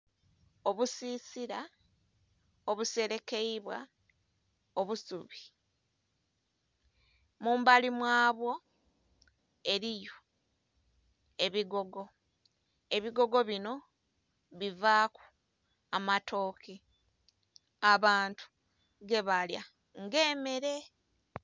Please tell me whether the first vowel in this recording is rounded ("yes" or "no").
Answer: yes